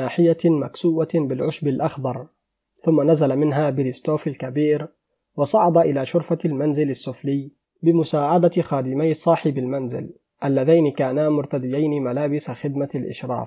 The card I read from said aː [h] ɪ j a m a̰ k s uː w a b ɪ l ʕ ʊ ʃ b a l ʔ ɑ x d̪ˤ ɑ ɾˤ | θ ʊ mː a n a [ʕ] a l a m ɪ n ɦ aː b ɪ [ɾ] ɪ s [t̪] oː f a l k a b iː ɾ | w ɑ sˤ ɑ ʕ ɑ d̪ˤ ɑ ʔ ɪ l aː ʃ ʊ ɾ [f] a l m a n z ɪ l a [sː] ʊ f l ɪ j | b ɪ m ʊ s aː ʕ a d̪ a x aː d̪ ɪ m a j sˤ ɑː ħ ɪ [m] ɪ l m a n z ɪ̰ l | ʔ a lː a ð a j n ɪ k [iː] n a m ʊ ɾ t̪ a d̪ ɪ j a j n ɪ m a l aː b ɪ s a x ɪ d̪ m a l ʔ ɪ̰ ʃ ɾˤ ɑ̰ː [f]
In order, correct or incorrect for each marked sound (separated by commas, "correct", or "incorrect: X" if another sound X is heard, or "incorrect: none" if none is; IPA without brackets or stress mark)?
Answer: incorrect: ħ, incorrect: z, incorrect: l, correct, correct, correct, incorrect: b, incorrect: aː, correct